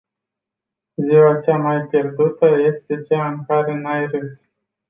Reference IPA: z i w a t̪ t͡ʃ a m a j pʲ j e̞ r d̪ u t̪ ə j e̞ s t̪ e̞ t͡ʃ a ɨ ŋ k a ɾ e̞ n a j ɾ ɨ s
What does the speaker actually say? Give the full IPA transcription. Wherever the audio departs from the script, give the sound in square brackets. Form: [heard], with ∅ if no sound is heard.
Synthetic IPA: z i w a [∅] t͡ʃ a m a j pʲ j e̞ r d̪ u t̪ ə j e̞ s t̪ e̞ t͡ʃ a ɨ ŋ k a ɾ e̞ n a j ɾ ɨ s